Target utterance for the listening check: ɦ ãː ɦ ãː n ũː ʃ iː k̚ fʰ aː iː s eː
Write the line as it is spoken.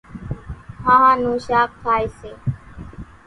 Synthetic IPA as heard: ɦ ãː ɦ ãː n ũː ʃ aː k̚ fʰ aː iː s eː